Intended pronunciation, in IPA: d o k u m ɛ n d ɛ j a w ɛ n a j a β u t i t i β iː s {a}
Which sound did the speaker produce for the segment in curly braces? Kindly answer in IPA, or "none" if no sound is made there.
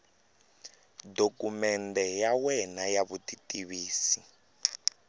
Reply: i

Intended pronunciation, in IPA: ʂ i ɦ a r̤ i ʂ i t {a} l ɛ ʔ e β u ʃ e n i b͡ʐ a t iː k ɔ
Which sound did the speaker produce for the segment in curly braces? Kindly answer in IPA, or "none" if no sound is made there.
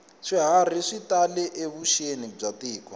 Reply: a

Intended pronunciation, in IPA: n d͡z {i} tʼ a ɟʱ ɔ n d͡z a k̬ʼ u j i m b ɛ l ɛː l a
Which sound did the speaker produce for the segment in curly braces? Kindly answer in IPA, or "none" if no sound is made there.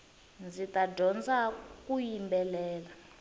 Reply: i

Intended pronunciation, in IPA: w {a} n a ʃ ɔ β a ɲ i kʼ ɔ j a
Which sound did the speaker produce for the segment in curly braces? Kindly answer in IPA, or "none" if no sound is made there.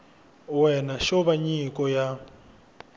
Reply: ɛ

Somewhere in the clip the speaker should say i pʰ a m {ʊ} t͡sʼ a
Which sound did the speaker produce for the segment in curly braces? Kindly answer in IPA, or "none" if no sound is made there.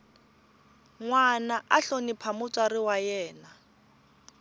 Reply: ʊ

